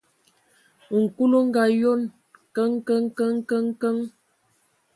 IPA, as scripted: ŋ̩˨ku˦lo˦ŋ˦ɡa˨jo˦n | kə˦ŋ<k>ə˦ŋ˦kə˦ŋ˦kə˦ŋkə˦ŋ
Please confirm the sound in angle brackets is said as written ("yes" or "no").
yes